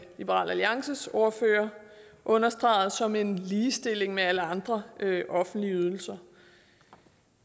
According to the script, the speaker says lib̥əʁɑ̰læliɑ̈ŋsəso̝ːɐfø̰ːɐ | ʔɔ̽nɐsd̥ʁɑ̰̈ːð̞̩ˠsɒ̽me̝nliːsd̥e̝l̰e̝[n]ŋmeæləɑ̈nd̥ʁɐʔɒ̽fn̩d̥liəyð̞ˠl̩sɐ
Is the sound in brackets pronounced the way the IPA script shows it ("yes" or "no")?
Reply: no